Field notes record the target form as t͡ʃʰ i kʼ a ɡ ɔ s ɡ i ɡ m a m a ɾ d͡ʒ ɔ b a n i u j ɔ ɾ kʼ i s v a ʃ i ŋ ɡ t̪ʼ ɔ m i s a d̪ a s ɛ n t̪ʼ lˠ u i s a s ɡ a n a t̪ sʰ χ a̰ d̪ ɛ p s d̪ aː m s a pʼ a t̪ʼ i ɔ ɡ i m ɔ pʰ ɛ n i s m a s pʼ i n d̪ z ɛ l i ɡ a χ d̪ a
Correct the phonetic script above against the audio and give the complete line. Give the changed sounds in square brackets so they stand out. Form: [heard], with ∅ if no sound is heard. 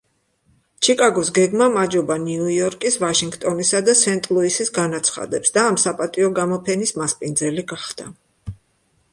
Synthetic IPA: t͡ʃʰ i kʼ a ɡ ɔ s ɡ [ɛ] ɡ m a m a [∅] d͡ʒ ɔ b a n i u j ɔ ɾ kʼ i s v a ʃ i ŋ ɡ t̪ʼ ɔ [n] i s a d̪ a s ɛ n t̪ʼ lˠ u i s [i] s ɡ a n a t̪ sʰ χ a̰ d̪ ɛ p s d̪ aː m s a pʼ a t̪ʼ i ɔ ɡ [a] m ɔ pʰ ɛ n i s m a s pʼ i n d̪ z ɛ l i ɡ a χ d̪ a